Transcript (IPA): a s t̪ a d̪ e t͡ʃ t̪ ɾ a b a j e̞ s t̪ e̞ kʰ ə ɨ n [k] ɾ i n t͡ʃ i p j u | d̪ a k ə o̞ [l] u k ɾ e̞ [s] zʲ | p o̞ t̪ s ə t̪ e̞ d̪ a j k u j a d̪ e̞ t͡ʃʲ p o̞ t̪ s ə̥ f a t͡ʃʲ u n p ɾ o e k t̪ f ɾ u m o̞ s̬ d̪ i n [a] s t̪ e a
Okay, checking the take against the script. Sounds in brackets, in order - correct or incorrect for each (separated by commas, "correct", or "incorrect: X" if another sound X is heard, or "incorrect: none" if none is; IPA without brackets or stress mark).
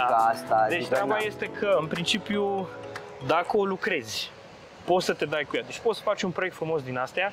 incorrect: p, correct, incorrect: none, correct